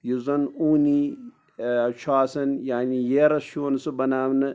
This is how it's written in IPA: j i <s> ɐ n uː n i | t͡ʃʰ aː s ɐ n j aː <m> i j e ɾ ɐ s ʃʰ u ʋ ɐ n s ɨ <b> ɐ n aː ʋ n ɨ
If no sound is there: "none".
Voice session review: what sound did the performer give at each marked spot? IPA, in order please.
z, n, b

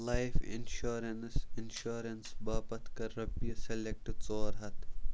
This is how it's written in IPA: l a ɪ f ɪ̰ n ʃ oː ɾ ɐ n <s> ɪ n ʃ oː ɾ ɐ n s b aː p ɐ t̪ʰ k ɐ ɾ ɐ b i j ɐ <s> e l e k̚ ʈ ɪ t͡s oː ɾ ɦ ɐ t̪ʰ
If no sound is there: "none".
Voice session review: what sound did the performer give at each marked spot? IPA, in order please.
s, s

